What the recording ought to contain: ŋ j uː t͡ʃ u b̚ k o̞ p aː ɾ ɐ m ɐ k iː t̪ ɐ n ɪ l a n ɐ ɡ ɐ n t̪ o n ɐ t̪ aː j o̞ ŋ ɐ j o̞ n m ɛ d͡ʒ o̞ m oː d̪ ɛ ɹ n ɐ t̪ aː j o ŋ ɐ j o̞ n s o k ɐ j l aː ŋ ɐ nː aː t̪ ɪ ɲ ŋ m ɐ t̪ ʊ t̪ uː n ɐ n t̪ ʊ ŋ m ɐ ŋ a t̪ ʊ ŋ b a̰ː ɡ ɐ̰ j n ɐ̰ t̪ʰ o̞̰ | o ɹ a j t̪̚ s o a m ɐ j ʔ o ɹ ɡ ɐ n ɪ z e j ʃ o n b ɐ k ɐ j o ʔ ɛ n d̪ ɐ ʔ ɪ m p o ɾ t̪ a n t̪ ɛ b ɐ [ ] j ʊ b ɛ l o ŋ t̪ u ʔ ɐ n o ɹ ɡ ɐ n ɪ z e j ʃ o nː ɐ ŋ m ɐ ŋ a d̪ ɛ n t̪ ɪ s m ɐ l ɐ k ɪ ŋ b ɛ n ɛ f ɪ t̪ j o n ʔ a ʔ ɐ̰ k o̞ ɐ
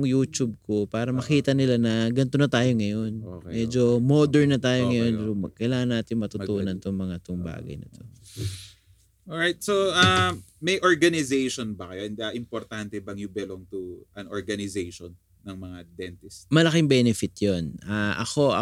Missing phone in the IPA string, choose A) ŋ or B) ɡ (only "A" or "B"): A